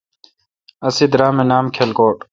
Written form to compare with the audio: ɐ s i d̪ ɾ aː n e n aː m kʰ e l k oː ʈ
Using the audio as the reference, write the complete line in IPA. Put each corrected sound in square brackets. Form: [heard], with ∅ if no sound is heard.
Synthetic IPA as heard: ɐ s i d̪ ɾ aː [m] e n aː m kʰ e l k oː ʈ